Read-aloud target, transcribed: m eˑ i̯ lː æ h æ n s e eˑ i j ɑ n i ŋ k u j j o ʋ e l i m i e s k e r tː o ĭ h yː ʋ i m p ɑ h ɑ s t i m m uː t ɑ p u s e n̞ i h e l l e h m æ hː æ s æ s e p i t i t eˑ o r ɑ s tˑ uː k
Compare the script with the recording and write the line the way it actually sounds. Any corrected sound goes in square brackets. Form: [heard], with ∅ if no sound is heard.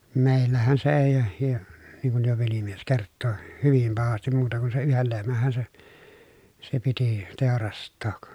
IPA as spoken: m eˑ i̯ lː æ h æ n s e eˑ i j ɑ n i ŋ k u j j o ʋ e l i m i e s k e r tː o ĭ h [y] ʋ i m p ɑ h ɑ s t i m m uː t ɑ [k] u s e n̞ [y] h e l l e h m æ hː æ s [e] s e p i t i t eˑ o r ɑ s tˑ [oː] k